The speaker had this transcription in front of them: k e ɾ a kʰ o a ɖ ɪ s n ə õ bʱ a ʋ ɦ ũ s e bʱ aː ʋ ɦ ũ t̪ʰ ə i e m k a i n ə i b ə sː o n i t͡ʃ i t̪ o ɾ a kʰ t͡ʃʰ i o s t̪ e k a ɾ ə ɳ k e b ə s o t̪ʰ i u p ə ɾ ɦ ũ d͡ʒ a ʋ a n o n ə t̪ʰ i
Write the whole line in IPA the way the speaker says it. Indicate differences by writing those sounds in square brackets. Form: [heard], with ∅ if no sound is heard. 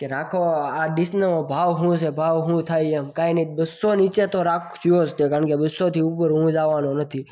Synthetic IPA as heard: k e ɾ a kʰ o a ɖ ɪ s n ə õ bʱ a ʋ ɦ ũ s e bʱ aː ʋ ɦ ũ t̪ʰ [a] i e m k a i n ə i b ə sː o n i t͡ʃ [e] t̪ o ɾ a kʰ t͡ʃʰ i o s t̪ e k a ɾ ə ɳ k e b ə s o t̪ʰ i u p ə ɾ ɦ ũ d͡ʒ a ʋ a n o n ə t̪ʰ i